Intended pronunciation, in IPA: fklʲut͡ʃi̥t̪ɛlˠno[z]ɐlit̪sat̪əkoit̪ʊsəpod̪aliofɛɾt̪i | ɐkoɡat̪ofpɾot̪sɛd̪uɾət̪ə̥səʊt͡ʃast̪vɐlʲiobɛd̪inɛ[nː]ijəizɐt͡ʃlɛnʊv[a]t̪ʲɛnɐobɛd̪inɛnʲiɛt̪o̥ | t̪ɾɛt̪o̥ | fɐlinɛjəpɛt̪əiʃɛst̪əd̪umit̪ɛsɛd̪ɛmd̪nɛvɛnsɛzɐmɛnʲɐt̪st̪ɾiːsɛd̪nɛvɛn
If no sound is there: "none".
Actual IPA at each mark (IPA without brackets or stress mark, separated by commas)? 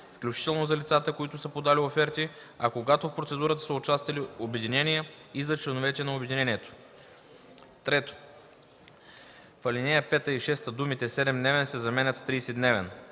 z, n, ɛ